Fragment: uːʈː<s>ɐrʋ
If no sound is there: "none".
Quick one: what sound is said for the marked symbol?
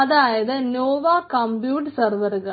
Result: s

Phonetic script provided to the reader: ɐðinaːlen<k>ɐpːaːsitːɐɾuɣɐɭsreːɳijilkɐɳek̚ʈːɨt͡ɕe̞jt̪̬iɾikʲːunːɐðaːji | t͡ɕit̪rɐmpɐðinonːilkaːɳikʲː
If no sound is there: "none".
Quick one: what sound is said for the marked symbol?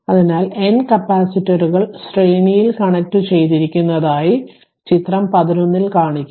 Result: k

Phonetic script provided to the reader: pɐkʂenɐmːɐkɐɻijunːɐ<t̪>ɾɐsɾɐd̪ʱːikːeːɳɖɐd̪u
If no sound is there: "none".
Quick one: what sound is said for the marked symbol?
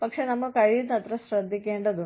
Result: t̪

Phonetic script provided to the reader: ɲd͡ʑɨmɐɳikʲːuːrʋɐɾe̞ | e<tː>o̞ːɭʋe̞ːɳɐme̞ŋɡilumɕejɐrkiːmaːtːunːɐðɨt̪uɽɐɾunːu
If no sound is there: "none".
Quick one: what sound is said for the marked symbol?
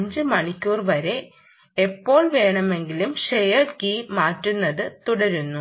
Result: pː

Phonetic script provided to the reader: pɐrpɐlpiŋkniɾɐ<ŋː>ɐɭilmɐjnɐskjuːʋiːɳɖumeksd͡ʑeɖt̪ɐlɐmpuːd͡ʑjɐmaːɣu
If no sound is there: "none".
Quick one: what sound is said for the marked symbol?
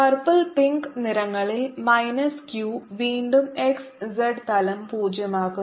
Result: ŋː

